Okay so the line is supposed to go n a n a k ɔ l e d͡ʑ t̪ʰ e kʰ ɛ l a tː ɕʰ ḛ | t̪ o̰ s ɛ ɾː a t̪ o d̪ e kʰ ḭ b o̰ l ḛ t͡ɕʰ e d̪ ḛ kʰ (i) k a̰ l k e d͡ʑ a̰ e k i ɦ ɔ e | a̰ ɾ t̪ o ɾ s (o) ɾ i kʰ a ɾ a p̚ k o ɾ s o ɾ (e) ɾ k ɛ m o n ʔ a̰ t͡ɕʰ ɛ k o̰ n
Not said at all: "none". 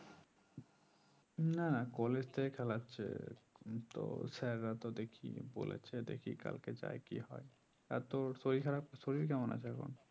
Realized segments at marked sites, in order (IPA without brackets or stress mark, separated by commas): i, o, i